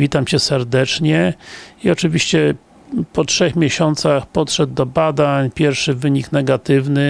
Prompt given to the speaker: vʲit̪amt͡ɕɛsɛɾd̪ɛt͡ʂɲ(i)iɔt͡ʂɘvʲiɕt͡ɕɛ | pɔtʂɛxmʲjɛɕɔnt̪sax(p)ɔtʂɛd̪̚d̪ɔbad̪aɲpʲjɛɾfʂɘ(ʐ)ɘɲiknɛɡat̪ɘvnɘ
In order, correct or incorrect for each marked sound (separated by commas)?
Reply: incorrect, correct, incorrect